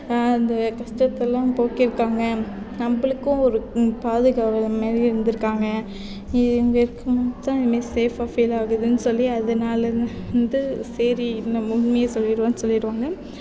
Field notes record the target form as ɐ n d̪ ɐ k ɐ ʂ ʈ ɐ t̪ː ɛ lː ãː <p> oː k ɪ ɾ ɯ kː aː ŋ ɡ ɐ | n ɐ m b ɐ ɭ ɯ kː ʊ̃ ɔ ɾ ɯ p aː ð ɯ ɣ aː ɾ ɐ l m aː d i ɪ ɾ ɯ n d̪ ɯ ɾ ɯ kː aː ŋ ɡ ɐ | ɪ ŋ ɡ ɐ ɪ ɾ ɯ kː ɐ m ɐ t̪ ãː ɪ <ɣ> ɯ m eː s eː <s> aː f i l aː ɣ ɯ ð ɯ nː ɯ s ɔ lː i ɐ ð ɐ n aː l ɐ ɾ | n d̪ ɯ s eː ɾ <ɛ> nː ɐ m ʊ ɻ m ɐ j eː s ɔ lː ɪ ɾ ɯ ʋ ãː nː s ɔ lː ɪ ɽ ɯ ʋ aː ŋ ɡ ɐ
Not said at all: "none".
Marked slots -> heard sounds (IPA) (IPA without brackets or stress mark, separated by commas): p, ð, f, i